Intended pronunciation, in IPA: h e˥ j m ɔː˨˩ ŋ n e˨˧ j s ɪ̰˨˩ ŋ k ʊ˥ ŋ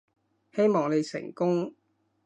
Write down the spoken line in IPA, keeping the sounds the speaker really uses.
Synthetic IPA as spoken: h e˥ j m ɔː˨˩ ŋ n e˨˧ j s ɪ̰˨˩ ŋ k ʊ˥ ŋ